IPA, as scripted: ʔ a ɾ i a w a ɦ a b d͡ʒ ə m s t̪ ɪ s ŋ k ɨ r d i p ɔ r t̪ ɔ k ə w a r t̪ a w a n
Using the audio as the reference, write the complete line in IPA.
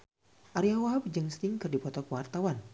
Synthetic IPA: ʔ a ɾ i a w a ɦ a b d͡ʒ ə ŋ s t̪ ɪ ŋ k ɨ r d i p ɔ t̪ ɔ k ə w a r t̪ a w a n